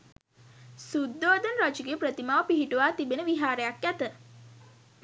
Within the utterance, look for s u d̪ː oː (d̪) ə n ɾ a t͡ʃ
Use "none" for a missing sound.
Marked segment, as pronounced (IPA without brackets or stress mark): d̪